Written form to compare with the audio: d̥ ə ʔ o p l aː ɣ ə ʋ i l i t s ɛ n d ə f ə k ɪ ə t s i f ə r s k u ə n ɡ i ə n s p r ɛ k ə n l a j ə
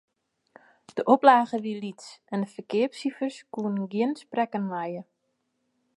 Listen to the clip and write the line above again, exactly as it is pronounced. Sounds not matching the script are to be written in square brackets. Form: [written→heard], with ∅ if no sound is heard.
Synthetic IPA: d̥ ə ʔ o p l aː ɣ ə ʋ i l i t s ɛ n d ə f ə k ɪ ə [t→p] s i f ə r s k u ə n ɡ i ə n s p r ɛ k ə n l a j ə